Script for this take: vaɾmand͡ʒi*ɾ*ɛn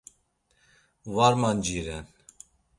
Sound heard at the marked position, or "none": ɾ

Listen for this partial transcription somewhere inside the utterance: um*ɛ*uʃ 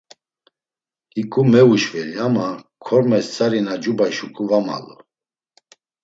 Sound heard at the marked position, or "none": ɛ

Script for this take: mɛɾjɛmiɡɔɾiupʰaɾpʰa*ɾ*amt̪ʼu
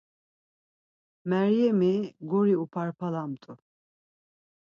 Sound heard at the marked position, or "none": l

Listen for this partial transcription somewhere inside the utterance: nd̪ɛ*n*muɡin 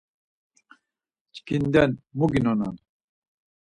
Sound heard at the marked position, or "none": n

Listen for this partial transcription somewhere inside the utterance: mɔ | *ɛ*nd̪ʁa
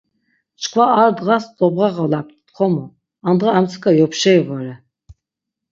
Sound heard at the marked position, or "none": a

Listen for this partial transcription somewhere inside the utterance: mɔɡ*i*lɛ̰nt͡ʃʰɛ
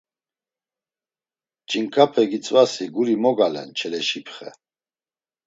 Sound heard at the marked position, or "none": a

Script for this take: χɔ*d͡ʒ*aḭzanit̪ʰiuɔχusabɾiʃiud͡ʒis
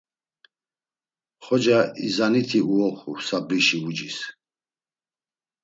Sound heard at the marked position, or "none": d͡ʒ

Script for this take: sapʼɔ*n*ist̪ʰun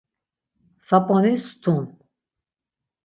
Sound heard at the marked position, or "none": n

